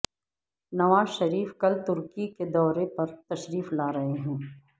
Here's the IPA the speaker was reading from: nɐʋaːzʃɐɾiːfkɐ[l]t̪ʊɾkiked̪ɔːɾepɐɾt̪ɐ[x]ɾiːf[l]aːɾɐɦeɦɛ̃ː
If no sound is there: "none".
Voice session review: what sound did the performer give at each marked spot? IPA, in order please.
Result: l, ʃ, l

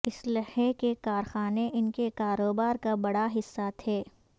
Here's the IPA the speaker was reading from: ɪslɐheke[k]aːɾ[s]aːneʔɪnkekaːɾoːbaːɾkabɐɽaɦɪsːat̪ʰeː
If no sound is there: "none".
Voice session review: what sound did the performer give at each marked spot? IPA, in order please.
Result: k, x

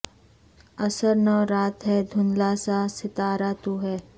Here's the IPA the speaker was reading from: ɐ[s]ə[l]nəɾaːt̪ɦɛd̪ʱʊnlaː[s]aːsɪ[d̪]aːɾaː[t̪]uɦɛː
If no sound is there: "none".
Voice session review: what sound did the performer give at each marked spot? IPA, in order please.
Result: s, ɾ, s, t̪, t̪

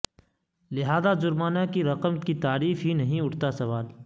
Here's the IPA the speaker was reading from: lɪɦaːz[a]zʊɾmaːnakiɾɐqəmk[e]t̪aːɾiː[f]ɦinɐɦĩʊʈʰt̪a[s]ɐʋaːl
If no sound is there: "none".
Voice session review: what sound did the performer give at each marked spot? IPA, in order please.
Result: a, i, f, s

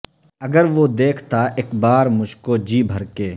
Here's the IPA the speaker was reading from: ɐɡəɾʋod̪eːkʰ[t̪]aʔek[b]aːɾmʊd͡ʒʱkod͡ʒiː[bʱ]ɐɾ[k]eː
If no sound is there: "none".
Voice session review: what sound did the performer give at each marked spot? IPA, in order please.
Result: t̪, b, bʱ, k

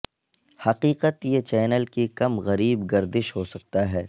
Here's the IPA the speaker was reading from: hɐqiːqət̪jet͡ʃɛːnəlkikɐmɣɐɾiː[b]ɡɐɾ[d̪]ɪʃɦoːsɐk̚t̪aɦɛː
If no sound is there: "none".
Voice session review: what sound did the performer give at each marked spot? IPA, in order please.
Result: b, d̪

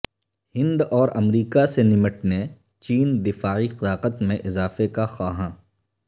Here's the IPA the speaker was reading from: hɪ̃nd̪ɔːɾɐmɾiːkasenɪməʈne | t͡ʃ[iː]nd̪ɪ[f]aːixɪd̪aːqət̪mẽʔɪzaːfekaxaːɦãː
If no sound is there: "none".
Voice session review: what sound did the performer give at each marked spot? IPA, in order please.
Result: iː, f

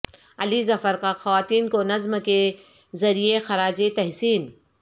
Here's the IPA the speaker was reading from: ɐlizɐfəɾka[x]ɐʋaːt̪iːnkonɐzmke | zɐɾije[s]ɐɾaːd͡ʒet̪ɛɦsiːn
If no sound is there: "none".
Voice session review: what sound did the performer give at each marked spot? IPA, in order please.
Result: x, x

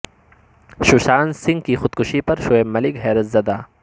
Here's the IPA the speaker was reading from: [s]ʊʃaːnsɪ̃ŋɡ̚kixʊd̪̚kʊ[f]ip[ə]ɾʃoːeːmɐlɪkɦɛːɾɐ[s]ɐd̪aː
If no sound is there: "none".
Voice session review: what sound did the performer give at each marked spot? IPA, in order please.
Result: ʃ, ʃ, ɐ, z

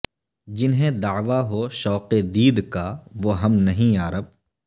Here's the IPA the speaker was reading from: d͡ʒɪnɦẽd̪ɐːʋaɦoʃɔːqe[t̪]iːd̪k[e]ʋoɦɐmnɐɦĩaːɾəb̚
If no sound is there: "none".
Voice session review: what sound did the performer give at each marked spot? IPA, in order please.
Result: d̪, a

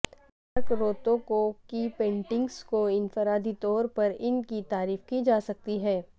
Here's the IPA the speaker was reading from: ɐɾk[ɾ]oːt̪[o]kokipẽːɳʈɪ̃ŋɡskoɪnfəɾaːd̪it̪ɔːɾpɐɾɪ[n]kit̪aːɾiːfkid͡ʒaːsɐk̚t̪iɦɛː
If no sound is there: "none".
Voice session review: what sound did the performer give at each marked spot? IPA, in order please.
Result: ɾ, õ, n

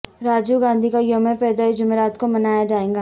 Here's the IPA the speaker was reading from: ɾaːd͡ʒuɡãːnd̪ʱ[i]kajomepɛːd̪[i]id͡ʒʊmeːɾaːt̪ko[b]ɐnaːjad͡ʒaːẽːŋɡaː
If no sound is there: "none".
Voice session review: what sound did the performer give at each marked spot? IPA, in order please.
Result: i, a, m

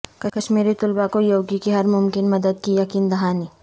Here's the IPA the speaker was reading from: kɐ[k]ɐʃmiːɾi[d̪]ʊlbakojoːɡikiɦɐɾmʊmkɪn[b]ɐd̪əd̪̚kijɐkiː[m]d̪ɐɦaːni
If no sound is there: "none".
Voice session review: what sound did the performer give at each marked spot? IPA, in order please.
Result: k, t̪, m, n

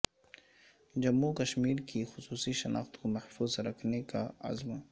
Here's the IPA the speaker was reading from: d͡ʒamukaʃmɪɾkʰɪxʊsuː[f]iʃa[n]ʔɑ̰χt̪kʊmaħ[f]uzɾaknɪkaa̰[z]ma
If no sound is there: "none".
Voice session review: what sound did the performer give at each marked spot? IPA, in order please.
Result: s, n, f, z

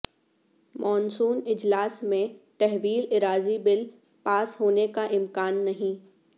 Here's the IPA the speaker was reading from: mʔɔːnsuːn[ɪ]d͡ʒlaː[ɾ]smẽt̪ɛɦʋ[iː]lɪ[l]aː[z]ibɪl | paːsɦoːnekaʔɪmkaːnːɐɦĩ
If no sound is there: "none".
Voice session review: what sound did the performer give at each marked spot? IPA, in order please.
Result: ɪ, none, iː, ɾ, z

